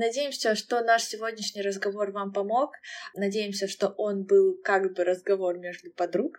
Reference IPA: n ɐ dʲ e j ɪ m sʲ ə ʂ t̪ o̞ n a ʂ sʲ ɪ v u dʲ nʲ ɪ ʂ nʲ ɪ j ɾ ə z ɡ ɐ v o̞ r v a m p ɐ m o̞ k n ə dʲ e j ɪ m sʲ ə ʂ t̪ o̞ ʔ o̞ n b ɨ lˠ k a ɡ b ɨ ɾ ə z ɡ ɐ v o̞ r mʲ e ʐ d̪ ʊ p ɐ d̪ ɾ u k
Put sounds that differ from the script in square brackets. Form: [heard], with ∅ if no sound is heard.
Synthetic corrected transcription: n ɐ dʲ e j ɪ m sʲ ə ʂ t̪ o̞ n a ʂ sʲ ɪ v [o] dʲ nʲ ɪ ʂ nʲ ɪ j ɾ ə z ɡ ɐ v o̞ r v a m p ɐ m o̞ k n [ɐ] dʲ e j ɪ m sʲ ə ʂ t̪ o̞ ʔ o̞ n b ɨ lˠ k a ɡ b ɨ ɾ ə z ɡ ɐ v o̞ r mʲ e ʐ d̪ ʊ p ɐ d̪ ɾ u k